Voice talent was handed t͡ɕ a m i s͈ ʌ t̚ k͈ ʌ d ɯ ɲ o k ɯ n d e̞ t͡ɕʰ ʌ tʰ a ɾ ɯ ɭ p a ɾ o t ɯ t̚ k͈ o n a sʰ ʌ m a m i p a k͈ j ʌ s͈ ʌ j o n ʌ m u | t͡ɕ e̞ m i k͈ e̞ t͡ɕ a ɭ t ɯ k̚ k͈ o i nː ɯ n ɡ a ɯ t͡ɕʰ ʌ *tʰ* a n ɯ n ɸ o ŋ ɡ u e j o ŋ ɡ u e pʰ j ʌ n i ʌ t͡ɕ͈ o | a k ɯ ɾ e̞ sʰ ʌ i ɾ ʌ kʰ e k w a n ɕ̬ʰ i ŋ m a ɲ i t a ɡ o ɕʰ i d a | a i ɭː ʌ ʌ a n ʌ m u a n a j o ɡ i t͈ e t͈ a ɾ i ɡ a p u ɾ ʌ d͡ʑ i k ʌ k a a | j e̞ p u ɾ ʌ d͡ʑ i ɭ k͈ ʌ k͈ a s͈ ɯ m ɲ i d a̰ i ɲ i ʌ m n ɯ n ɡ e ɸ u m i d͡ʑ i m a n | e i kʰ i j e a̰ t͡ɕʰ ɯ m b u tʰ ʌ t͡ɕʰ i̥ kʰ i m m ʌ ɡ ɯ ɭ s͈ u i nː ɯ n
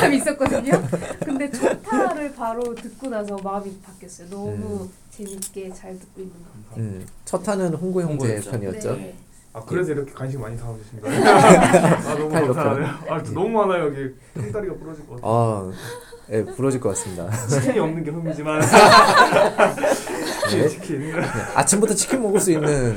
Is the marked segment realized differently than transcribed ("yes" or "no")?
no